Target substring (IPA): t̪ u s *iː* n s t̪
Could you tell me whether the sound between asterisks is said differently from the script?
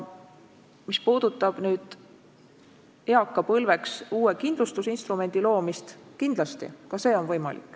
yes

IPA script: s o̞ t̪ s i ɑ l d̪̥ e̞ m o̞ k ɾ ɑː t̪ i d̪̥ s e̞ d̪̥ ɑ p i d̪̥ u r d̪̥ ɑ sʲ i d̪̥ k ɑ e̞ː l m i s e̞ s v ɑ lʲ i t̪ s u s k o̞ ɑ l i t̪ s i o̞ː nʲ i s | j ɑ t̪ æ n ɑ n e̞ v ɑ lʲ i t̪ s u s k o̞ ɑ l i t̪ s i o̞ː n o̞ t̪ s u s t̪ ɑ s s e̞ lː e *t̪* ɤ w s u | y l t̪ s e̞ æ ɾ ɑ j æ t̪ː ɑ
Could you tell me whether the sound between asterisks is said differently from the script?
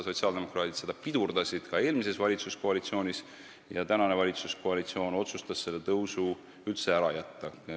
no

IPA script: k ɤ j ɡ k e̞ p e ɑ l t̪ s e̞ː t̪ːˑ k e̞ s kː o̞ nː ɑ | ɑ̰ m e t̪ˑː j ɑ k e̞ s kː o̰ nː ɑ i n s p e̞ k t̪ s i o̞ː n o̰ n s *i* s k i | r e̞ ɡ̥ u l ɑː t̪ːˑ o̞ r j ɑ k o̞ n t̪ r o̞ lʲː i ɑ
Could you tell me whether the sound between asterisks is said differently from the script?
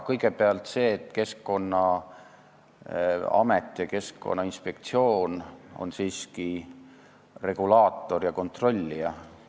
yes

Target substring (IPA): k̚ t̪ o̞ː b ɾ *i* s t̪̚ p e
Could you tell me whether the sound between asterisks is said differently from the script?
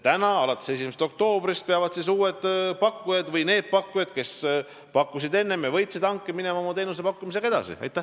no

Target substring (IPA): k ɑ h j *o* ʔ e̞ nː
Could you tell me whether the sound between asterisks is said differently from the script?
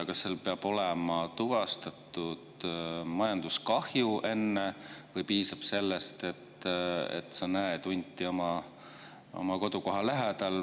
yes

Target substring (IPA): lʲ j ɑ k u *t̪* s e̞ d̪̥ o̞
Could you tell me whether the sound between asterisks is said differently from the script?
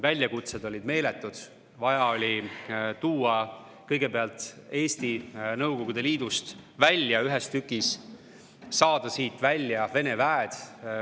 no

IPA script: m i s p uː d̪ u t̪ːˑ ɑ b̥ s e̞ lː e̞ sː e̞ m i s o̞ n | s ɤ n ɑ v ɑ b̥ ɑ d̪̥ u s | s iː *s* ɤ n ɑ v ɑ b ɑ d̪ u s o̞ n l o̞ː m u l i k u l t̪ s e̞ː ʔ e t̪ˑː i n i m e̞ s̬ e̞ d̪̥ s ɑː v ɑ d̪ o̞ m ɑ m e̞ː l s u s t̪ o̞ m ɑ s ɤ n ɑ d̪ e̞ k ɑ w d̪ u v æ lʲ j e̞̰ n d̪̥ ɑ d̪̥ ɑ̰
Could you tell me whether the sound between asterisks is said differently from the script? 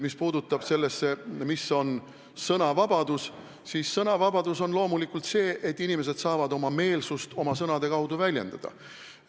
yes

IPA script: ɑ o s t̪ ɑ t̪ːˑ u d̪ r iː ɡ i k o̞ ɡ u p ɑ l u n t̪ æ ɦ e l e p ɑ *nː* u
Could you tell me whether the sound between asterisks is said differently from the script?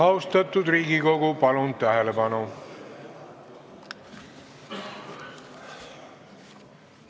yes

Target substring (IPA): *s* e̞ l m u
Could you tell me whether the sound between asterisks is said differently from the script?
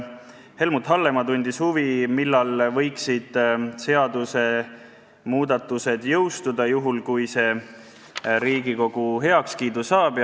yes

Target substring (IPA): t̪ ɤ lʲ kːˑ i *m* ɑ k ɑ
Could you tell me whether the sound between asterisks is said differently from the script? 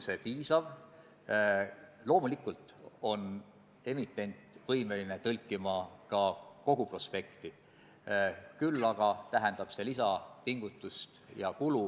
no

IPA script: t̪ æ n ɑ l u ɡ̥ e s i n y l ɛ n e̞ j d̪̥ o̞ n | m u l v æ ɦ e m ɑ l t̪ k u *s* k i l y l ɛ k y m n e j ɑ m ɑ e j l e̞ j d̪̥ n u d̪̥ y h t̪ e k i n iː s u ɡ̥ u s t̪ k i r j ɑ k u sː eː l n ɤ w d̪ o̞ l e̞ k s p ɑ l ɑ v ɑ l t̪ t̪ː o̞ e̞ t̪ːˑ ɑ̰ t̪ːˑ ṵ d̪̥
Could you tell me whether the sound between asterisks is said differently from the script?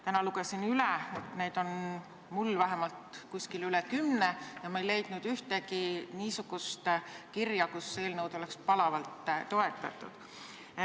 no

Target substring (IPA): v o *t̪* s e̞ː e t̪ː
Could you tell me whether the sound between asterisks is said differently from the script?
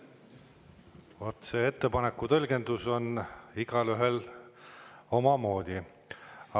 no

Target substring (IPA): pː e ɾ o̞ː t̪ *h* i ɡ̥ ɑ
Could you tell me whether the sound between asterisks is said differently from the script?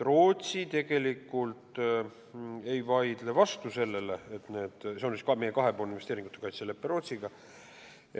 yes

